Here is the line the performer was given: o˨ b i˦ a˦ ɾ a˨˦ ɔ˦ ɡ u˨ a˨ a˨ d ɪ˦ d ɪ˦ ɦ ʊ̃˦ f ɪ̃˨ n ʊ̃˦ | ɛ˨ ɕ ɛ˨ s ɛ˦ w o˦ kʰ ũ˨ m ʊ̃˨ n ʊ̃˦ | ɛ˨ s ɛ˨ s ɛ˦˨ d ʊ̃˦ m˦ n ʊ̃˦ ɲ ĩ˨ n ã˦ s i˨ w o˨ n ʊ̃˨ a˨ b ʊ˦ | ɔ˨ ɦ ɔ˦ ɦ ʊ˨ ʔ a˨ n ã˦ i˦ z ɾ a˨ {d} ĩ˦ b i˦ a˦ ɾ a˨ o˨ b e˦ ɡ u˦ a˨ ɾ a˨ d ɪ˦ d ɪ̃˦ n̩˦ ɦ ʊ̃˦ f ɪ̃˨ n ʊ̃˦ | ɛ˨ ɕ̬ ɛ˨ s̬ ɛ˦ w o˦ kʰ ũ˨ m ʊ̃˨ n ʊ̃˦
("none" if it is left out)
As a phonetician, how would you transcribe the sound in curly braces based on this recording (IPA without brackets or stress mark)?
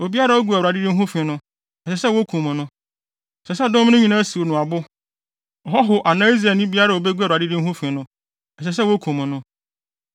n